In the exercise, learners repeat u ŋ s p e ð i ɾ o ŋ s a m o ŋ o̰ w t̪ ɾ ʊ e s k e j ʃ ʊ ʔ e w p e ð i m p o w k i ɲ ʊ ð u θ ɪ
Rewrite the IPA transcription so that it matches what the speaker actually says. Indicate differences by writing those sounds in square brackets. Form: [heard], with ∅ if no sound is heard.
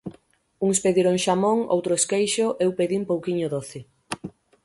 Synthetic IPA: u ŋ s p e ð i ɾ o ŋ [ʃ] a m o ŋ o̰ w t̪ ɾ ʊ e s k e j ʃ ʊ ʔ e w p e ð i m p o w k i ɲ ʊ ð [o] θ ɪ